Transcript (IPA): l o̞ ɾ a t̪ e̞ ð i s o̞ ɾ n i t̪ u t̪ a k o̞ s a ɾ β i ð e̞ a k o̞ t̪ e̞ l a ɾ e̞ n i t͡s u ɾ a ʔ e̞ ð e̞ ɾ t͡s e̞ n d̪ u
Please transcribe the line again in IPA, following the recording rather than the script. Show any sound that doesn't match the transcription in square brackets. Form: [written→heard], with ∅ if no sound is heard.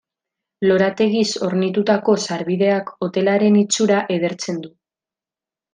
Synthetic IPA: l o̞ ɾ a t̪ e̞ [ð→ɣ] i s o̞ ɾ n i t̪ u t̪ a k o̞ s a ɾ β i ð e̞ a k o̞ t̪ e̞ l a ɾ e̞ n i t͡s u ɾ a ʔ e̞ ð e̞ ɾ t͡s e̞ n d̪ u